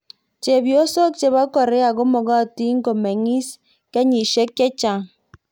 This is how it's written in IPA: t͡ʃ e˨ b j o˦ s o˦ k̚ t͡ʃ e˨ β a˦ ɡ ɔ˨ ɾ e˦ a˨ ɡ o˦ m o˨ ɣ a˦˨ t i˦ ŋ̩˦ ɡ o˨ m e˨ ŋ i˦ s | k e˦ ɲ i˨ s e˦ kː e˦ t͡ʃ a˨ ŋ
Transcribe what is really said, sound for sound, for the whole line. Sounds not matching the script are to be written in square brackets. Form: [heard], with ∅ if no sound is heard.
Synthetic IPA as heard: t͡ʃ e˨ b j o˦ s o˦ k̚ t͡ʃ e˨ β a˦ [k] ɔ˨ ɾ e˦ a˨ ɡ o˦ m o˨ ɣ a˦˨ t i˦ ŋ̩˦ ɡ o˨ m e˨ ŋ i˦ s | k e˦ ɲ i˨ [ʃ] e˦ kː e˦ t͡ʃ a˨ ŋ